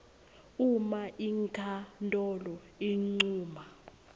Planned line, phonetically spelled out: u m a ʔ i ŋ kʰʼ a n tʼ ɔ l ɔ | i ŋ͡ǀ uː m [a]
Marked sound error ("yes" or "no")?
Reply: no